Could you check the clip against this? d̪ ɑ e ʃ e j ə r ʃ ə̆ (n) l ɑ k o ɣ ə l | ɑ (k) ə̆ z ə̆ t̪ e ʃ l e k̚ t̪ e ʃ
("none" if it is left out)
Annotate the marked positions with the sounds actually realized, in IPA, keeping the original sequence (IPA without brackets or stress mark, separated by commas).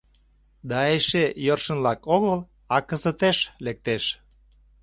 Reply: n, k